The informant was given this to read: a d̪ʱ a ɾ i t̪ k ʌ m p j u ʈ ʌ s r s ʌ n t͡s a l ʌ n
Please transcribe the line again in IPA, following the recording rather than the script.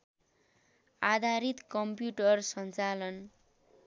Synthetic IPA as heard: a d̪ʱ a ɾ i t̪ k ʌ m p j u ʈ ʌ r s ʌ n t͡s a l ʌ n